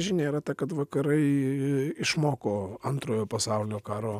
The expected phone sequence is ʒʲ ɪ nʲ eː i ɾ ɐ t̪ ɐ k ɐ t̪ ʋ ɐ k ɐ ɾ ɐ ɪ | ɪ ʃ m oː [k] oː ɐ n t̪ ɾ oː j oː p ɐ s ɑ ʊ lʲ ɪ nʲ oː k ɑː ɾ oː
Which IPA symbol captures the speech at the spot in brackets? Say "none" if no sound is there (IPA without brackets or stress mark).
k